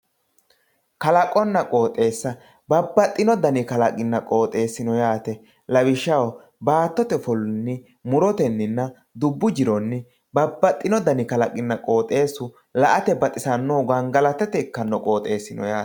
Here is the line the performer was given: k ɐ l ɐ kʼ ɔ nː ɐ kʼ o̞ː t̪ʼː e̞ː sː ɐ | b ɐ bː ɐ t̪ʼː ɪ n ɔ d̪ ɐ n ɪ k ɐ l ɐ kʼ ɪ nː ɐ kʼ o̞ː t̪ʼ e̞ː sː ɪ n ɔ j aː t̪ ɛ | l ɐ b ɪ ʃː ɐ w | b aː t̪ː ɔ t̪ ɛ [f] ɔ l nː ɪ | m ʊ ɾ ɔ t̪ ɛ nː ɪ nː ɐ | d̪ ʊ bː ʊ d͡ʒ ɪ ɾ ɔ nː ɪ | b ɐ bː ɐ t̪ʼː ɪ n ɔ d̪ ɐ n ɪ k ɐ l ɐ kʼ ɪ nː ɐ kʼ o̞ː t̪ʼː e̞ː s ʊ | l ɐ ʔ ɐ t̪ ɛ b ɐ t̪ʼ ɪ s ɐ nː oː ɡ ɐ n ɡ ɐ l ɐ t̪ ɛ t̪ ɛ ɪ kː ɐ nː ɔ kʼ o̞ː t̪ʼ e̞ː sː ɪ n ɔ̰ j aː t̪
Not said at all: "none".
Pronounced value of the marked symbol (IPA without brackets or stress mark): f